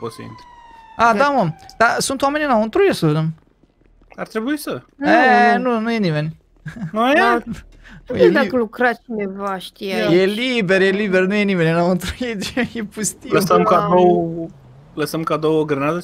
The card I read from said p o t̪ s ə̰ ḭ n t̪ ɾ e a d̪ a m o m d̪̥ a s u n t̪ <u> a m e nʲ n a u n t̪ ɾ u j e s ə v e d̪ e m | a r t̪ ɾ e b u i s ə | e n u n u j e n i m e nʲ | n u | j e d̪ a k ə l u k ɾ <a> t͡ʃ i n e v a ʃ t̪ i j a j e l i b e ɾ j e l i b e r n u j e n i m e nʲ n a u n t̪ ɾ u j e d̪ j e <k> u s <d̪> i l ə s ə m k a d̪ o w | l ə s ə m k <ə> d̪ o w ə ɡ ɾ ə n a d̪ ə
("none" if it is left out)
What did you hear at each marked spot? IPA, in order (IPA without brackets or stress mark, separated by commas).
w, a, p, t̪, a